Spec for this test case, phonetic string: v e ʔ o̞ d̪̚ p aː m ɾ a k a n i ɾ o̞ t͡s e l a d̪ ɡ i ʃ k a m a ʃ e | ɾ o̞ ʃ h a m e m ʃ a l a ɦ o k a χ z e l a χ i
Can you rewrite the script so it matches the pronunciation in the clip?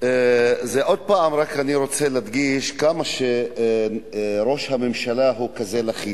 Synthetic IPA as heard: z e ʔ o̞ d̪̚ p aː m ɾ a k a n i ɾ o̞ t͡s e l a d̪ ɡ i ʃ k a m a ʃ e | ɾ o̞ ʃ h a m e m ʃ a l a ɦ u k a z e l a χ i